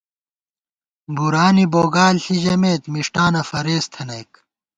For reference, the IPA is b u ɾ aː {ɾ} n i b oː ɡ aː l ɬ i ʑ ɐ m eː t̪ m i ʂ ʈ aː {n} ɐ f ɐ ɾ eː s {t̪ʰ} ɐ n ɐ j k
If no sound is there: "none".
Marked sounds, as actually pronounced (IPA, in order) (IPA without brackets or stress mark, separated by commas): none, n, t̪ʰ